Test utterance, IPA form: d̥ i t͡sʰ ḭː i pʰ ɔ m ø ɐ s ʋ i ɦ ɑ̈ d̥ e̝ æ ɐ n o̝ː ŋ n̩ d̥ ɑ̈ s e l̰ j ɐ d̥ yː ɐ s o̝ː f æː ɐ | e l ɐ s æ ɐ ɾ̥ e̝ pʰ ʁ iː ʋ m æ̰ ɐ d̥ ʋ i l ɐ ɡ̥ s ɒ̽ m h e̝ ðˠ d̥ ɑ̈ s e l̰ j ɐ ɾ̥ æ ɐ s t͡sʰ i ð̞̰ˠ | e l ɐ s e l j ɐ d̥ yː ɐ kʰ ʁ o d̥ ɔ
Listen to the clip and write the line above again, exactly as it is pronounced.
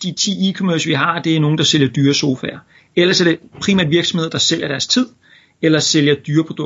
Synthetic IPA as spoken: d̥ i t͡sʰ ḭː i kʰ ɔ m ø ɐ s ʋ i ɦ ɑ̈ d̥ e̝ æ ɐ n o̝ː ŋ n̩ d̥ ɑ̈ s e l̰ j ɐ d̥ yː ɐ s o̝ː f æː ɐ | e l ɐ s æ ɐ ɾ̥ e̝ pʰ ʁ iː m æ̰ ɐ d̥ ʋ i ɐ ɡ̥ s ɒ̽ m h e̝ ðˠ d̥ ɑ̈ s e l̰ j ɐ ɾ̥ æ ɐ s t͡sʰ i ð̞̰ˠ | e l ɐ s e l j ɐ d̥ yː ɐ pʰ ʁ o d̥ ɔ